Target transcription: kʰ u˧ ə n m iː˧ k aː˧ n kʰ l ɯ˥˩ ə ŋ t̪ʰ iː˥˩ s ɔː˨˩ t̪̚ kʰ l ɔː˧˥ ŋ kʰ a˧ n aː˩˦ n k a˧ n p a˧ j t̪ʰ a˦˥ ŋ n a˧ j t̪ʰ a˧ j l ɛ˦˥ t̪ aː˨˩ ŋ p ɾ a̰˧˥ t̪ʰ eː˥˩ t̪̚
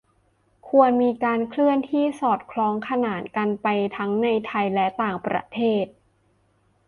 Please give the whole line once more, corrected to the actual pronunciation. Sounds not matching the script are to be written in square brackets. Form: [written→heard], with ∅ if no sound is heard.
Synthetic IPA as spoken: kʰ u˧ ə n m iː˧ k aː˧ n kʰ l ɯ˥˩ ə [ŋ→n] t̪ʰ iː˥˩ s ɔː˨˩ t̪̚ kʰ l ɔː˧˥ ŋ kʰ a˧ n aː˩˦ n k a˧ n p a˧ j t̪ʰ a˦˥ ŋ n a˧ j t̪ʰ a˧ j l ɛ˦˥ t̪ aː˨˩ ŋ p ɾ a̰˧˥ t̪ʰ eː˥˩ t̪̚